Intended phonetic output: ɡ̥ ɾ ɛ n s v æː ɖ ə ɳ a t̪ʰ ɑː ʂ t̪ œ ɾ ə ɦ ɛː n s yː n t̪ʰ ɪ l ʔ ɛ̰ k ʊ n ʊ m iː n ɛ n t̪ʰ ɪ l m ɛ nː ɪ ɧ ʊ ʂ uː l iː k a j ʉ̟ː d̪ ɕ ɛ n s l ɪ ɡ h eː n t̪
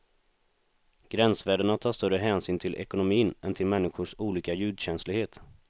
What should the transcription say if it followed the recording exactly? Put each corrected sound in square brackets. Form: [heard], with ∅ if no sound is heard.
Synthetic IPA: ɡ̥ ɾ ɛ n s v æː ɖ ə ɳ a t̪ʰ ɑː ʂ t̪ œ ɾ ə ɦ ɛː n s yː n t̪ʰ ɪ l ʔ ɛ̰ k ʊ n ʊ m iː n ɛ n t̪ʰ ɪ l m ɛ nː ɪ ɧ ʊ ʂ uː l iː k a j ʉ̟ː d̪ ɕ ɛ n s l ɪ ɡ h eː [∅] t̪